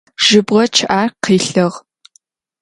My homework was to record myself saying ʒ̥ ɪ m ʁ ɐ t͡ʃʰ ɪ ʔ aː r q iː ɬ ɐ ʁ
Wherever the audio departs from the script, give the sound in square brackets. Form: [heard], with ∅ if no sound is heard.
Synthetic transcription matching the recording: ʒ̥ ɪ [b] ʁ ɐ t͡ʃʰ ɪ ʔ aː r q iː ɬ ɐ ʁ